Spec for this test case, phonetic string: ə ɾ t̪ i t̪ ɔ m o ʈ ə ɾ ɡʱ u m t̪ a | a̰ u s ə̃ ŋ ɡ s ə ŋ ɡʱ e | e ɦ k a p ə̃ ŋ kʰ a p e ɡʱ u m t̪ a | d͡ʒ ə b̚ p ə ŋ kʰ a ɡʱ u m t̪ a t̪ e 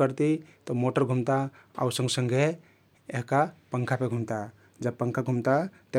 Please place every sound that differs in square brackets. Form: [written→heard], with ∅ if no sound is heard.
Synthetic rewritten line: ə ɾ t̪ i t̪ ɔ m o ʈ ə ɾ ɡʱ u m t̪ a | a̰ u s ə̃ ŋ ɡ s ə ŋ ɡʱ e | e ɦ k a p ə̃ ŋ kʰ a p e ɡʱ u m t̪ a | d͡ʒ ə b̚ p ə ŋ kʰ a ɡʱ u m t̪ a t̪ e